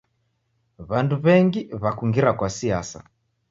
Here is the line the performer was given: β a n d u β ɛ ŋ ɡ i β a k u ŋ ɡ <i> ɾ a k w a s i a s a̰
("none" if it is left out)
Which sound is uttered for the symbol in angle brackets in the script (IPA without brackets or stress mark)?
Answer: i